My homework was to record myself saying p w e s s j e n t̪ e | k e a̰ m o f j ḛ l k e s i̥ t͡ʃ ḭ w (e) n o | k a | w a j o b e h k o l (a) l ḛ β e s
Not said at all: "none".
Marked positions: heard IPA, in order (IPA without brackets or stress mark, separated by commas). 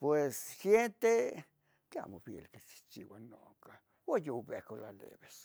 a, a